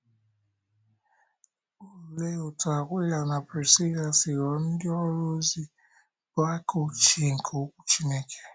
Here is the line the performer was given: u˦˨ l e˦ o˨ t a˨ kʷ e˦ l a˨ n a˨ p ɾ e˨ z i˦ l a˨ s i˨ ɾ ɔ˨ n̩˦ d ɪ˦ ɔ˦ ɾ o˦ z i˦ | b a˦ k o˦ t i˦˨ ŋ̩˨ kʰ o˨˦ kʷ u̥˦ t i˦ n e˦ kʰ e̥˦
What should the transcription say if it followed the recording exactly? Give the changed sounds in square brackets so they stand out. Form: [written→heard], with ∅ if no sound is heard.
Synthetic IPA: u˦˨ l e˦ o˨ t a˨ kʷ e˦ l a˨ n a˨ p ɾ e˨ [z→s] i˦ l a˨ s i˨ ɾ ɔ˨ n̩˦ d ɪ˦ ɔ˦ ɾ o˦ z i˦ | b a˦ k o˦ [t→t͡ʃ] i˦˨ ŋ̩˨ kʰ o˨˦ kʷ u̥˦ [t→t͡ʃ] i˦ n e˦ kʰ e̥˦